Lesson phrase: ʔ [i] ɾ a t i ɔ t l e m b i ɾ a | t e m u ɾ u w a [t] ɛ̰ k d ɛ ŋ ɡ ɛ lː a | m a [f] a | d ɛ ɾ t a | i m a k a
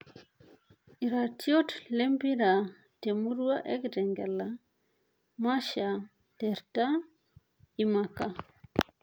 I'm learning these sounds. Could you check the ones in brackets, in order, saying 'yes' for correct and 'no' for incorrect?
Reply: yes, no, no

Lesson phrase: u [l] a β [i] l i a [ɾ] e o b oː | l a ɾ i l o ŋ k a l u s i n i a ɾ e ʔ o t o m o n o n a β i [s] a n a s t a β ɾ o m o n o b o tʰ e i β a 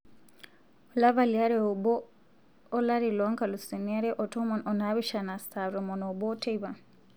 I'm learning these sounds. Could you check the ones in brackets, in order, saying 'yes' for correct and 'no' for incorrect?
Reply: yes, no, yes, no

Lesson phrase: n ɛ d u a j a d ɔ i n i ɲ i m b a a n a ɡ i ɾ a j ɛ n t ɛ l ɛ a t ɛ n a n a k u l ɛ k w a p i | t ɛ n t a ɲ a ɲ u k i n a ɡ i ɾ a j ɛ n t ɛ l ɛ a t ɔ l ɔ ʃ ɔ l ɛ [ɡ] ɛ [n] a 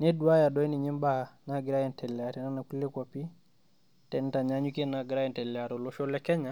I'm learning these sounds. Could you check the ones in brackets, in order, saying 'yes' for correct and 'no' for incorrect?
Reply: no, no

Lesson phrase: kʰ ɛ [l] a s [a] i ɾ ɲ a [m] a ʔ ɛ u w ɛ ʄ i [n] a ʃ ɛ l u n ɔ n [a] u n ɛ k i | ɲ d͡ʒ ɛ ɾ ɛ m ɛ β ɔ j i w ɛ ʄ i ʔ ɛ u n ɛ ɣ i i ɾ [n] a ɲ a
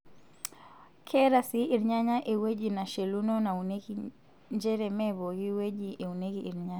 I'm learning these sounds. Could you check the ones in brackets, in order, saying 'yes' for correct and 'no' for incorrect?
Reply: no, no, no, yes, yes, no

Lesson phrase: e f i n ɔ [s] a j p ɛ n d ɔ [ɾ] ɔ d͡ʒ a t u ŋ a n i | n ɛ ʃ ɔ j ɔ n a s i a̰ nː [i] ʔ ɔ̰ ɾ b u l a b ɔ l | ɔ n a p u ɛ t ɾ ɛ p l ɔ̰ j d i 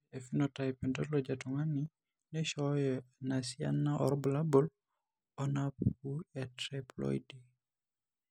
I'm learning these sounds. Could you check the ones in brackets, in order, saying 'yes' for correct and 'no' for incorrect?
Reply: no, no, no

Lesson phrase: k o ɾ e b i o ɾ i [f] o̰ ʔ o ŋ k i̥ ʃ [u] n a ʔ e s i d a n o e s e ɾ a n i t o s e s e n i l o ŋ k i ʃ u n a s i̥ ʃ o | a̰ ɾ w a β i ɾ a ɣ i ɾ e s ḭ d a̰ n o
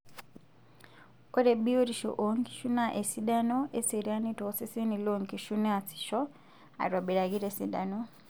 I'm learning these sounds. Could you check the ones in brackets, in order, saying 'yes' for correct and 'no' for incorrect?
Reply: no, yes

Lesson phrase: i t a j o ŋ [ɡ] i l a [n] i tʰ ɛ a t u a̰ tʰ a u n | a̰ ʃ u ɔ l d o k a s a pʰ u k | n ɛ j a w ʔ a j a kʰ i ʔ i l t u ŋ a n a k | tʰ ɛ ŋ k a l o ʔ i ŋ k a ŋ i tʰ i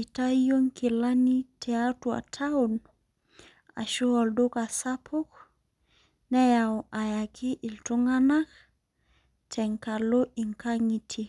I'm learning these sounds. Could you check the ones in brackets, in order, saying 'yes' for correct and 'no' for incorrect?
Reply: no, yes

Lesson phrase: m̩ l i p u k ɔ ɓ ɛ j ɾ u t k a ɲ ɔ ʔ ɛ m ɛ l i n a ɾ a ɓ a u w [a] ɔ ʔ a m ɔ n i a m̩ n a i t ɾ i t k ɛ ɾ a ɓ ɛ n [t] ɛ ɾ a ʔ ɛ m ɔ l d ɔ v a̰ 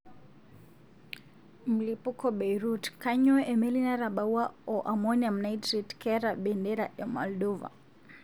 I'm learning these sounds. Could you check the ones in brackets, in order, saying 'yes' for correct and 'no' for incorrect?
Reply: yes, no

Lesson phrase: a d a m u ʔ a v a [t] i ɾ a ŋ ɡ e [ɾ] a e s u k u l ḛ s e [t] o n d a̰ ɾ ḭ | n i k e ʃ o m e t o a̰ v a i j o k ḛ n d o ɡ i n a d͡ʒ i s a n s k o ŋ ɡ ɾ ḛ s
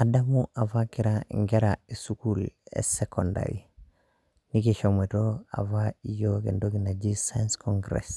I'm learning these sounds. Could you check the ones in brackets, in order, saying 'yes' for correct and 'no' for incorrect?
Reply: no, yes, no

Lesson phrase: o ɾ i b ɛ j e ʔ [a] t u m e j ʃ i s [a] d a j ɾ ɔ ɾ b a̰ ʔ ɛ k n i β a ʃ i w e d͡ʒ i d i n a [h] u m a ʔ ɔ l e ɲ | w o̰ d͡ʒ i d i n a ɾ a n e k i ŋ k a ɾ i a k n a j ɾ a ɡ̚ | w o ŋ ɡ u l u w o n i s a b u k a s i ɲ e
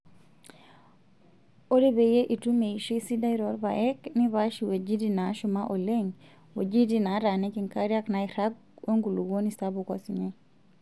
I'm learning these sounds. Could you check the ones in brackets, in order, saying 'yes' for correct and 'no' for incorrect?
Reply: no, no, no

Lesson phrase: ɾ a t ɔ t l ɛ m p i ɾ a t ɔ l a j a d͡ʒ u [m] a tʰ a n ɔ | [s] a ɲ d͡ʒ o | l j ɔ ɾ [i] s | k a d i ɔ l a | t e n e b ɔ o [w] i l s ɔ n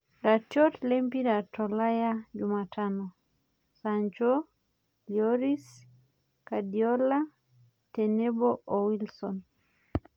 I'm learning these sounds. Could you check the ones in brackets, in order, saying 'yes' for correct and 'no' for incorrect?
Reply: yes, yes, yes, yes

